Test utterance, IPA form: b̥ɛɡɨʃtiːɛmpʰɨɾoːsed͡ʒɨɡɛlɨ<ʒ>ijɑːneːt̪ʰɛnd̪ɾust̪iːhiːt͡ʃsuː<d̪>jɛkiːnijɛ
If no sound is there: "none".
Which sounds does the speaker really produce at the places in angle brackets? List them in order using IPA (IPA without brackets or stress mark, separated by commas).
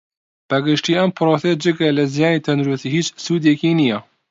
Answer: z, d̪